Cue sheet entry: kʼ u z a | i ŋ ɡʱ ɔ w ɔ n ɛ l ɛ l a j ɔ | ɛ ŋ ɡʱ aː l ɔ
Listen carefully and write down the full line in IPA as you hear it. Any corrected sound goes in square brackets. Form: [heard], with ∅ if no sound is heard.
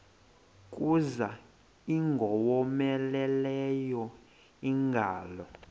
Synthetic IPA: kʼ u z a | i ŋ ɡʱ ɔ w ɔ [m] ɛ l ɛ l [ɛ] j ɔ | [i] ŋ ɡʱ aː l ɔ